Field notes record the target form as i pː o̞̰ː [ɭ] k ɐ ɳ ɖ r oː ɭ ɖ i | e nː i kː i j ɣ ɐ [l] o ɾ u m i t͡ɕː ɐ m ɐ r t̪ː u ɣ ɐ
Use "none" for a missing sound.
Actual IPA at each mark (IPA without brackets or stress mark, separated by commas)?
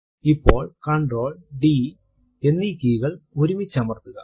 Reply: ɭ, ɭ